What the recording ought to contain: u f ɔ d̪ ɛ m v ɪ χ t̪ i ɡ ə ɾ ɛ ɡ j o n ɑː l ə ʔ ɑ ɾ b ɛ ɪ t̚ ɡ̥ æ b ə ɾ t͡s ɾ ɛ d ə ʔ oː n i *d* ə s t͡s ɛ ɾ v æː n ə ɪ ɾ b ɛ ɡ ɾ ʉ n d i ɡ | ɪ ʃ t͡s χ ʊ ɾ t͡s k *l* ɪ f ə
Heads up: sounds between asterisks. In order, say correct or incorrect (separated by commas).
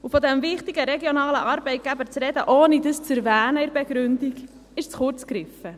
correct, incorrect